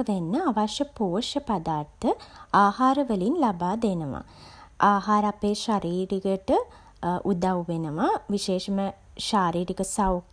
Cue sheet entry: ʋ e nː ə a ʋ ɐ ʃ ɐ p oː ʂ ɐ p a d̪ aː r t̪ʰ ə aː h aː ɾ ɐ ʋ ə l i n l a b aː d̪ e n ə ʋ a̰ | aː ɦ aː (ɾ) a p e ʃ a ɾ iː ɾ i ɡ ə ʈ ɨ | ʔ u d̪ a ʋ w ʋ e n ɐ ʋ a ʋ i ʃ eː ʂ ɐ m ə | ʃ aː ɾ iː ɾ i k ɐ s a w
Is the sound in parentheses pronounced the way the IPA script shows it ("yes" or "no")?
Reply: yes